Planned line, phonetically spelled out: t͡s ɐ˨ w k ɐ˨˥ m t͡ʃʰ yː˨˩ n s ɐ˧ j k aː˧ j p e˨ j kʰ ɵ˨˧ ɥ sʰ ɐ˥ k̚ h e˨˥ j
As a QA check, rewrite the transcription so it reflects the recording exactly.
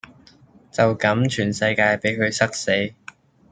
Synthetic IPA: t͡s ɐ˨ w k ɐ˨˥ m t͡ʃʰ yː˨˩ n s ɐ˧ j k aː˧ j p e˨˥ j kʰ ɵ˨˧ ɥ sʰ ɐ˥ k̚ s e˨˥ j

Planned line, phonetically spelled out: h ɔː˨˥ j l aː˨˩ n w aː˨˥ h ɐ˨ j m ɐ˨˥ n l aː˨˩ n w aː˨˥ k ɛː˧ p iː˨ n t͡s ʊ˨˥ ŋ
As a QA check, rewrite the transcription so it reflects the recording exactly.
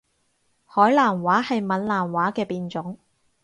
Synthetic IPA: h ɔː˨˥ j l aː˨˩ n w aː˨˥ h ɐ˨ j m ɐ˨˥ n l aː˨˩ n w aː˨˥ k ɛː˧ p iː˨ n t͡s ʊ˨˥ ŋ

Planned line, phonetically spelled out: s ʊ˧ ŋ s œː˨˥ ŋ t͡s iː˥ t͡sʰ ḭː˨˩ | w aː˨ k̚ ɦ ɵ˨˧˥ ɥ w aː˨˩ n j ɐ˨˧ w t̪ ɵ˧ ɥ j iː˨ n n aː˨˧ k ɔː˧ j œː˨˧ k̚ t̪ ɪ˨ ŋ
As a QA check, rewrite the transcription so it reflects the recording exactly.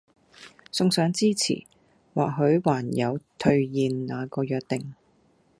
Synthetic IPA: s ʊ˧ ŋ s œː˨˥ ŋ t͡s iː˥ t͡sʰ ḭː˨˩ | w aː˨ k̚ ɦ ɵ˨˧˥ ɥ w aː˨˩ n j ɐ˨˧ w t̪ʰ ɵ˧ ɥ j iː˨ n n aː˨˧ k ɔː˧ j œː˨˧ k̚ t̪ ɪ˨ ŋ

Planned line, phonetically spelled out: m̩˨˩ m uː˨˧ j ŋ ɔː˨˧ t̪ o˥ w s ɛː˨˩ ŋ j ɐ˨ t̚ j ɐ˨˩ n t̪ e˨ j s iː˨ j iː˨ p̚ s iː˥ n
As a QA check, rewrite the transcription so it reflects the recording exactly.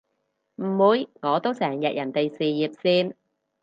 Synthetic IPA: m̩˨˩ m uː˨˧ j ŋ ɔː˨˧ t̪ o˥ w s ɛː˨˩ ŋ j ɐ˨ t̚ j ɐ˨˩ n t̪ e˨ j s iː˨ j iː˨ p̚ s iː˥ n

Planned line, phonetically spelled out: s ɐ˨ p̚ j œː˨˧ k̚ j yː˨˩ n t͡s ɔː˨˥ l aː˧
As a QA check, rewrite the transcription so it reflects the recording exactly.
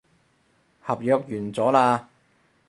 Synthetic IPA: h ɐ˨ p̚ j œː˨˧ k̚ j yː˨˩ n t͡s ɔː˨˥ l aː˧

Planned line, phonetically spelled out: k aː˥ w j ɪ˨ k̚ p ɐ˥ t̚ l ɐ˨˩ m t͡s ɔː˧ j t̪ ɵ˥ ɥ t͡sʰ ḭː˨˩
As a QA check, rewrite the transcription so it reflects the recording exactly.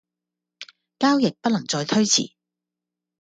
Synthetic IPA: k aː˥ w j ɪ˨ k̚ p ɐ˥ t̚ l ɐ˨˩ ŋ t͡s ɔː˧ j t̪ʰ ɵ˥ ɥ t͡sʰ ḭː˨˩

